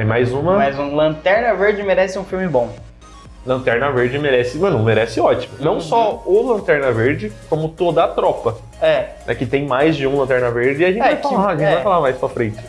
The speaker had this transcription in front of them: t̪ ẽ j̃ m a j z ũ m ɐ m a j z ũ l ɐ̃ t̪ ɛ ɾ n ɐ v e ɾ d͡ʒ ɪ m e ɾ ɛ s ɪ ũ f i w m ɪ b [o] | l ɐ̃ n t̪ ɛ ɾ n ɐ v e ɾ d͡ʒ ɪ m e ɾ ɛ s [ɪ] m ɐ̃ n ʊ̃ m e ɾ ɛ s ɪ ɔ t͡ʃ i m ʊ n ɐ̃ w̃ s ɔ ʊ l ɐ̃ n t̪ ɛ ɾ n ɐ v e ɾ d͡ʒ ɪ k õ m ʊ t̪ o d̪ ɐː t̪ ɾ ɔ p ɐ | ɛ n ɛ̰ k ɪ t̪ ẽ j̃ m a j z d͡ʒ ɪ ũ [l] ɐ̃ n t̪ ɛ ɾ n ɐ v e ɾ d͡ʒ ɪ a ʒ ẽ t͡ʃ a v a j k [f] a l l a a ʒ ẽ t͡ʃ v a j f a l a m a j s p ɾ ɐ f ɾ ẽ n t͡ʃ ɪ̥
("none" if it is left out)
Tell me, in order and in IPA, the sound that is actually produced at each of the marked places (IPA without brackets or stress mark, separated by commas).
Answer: õ, ɪ, l, f